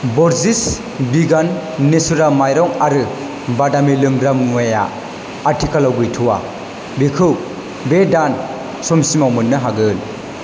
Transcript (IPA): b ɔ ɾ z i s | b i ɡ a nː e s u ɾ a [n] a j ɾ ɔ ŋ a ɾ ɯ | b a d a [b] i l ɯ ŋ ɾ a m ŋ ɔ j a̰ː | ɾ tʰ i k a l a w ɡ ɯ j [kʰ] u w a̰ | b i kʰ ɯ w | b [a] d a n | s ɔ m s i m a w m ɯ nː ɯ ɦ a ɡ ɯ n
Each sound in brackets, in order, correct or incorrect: incorrect: m, incorrect: m, incorrect: tʰ, incorrect: e

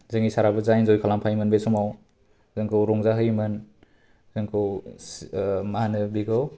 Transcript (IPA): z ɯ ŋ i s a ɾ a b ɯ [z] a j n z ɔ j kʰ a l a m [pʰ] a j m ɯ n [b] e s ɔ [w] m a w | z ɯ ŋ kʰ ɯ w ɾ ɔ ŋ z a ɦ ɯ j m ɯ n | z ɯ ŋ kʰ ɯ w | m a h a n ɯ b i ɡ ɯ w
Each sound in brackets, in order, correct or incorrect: correct, correct, correct, incorrect: none

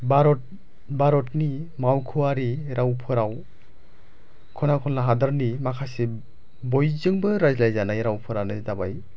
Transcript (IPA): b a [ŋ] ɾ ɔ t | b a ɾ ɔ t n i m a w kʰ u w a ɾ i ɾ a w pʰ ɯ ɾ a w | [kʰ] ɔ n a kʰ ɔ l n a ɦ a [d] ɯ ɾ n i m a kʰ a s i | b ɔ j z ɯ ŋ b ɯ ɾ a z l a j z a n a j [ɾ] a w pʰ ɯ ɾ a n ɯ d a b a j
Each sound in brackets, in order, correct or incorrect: incorrect: none, correct, correct, correct

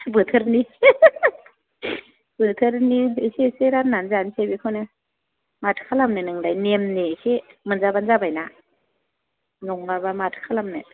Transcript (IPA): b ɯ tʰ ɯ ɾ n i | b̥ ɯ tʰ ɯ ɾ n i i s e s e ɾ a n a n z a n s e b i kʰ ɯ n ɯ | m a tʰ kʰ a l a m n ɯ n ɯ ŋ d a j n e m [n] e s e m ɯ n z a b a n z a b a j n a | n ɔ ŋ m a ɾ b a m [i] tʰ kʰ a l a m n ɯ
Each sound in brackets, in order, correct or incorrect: correct, incorrect: a

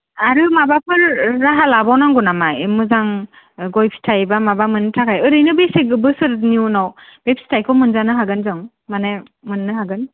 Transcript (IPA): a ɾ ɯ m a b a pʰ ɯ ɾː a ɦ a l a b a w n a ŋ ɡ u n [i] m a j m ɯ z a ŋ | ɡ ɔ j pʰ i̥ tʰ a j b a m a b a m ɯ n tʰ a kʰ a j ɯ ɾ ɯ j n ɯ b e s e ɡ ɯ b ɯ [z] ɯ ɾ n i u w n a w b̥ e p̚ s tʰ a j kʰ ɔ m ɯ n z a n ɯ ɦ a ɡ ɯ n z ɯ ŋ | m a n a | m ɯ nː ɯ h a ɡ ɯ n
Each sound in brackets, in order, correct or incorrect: incorrect: a, incorrect: s

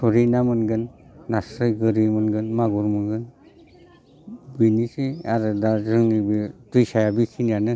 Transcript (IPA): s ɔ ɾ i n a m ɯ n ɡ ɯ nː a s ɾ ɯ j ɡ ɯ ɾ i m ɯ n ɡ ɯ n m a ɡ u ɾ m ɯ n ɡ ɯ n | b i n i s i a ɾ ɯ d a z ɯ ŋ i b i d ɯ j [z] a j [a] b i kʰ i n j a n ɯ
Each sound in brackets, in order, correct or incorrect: incorrect: s, correct

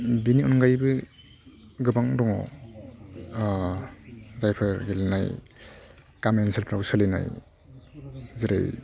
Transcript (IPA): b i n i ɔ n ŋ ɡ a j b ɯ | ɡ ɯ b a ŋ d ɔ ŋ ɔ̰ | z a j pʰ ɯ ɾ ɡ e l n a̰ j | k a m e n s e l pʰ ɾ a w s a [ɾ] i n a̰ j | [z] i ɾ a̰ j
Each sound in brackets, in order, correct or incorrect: incorrect: l, correct

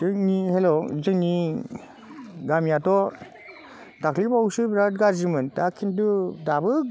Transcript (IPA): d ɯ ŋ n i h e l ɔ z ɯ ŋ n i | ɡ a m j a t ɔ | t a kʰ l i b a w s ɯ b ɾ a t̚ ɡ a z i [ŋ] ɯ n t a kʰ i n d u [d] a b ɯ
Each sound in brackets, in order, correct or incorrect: incorrect: m, correct

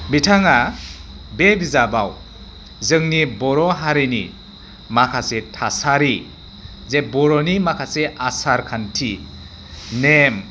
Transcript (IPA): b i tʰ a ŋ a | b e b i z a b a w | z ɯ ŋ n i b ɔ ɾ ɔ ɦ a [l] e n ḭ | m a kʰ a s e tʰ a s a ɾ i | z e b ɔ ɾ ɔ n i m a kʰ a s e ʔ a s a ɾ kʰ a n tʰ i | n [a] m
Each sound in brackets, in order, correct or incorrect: incorrect: ɾ, incorrect: e

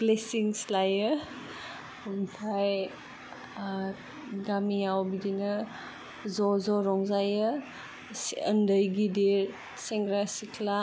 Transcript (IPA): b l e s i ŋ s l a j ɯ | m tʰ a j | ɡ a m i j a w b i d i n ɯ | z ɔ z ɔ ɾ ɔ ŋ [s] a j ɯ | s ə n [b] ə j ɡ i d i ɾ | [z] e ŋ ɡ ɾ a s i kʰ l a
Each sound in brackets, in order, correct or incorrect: incorrect: z, incorrect: d, incorrect: s

